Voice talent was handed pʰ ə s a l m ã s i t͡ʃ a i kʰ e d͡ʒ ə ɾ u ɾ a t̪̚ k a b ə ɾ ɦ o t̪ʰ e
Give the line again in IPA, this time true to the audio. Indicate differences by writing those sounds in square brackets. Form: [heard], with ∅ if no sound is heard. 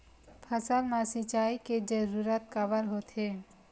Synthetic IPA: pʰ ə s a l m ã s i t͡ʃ a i [k] e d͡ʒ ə ɾ u ɾ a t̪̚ k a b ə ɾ ɦ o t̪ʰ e